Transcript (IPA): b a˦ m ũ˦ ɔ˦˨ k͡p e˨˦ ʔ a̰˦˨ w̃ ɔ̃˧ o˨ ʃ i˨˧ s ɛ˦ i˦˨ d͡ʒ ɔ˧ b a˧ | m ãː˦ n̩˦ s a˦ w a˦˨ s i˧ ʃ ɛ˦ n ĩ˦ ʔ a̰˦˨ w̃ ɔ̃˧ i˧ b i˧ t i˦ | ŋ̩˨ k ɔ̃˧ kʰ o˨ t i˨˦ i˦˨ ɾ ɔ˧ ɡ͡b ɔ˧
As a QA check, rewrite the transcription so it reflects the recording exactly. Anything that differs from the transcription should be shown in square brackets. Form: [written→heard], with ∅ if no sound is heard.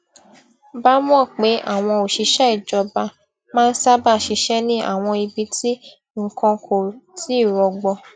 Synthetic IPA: b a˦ m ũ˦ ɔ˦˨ k͡p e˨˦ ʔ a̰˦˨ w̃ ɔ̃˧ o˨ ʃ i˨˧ [s→ʃ] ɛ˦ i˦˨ d͡ʒ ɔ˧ b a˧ | m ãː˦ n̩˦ s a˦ [w→b] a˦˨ [s→ʃ] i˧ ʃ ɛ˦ n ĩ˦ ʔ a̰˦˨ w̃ ɔ̃˧ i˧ b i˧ t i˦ | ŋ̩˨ k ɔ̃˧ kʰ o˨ t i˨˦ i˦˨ ɾ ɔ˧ ɡ͡b ɔ˧